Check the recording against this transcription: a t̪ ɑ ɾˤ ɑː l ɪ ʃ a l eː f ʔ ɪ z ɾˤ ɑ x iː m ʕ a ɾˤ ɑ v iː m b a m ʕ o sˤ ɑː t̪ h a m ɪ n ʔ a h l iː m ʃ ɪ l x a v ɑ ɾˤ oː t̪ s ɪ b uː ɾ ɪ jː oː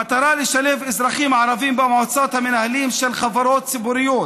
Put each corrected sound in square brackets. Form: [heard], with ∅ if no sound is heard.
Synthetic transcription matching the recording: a t̪ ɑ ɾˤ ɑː l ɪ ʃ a l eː f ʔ ɪ z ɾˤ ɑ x iː m ʕ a ɾˤ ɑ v iː m b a m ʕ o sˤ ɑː t̪ h a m ɪ n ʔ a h l iː m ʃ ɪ l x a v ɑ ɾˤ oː t̪ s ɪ b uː ɾ ɪ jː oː